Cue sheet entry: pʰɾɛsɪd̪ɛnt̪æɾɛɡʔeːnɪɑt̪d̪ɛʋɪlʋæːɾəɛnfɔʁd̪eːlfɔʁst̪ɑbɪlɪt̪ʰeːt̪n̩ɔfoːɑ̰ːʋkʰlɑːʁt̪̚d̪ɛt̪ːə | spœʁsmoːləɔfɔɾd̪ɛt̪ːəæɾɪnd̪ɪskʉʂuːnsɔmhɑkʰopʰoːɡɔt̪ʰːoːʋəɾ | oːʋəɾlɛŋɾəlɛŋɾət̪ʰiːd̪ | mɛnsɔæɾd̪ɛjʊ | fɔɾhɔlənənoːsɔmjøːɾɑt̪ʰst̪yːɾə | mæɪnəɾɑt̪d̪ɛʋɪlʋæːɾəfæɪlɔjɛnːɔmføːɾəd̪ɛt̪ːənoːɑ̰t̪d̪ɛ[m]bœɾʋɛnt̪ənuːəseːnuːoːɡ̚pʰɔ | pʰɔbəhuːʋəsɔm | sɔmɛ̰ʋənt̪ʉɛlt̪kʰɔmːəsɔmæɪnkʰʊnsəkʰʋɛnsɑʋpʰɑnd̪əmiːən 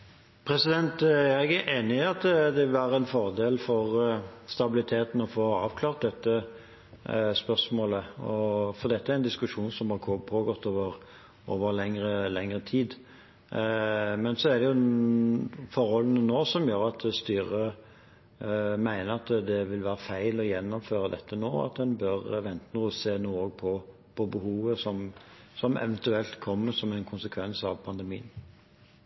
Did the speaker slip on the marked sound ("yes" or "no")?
yes